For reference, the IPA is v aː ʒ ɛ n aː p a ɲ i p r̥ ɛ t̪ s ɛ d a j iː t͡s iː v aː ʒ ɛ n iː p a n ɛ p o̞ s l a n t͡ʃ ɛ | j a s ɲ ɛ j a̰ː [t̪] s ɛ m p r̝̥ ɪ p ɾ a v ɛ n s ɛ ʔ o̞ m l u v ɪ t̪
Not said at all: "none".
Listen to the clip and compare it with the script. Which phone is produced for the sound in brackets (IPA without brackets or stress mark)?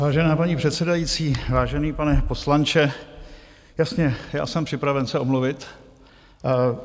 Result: none